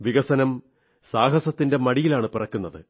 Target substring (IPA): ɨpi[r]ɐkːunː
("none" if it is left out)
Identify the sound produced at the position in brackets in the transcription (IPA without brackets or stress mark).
r